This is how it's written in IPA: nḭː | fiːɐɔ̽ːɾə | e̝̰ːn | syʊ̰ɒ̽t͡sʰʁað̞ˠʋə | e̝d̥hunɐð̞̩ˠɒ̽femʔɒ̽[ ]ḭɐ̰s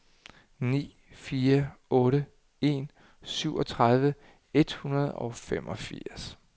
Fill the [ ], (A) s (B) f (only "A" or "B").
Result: B